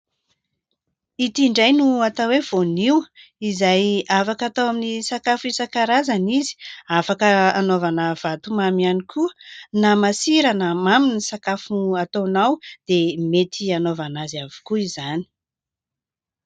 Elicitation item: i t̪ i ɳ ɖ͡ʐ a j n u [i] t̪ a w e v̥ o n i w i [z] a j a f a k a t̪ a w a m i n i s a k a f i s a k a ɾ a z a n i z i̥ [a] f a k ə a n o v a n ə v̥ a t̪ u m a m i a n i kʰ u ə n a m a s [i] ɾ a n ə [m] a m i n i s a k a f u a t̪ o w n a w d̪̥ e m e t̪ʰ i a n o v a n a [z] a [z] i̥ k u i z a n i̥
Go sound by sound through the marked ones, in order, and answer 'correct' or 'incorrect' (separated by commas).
incorrect, correct, correct, correct, correct, correct, incorrect